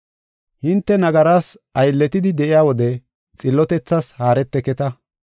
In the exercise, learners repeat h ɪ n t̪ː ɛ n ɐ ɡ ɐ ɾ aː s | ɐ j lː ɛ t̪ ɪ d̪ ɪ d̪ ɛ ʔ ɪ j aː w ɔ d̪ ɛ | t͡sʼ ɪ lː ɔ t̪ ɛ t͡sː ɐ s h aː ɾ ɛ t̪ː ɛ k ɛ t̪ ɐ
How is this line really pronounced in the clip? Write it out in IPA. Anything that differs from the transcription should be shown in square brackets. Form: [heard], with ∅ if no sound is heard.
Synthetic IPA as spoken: h ɪ n t̪ː ɛ n ɐ ɡ ɐ ɾ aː s | ɐ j lː ɛ t̪ ɪ d̪ ɪ d̪ ɛ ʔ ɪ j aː w ɔ d̪ ɛ | t͡sʼ ɪ lː ɔ t̪ ɛ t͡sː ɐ s h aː ɾ ɛ t̪ː ɛ k ɛ t̪ ɐ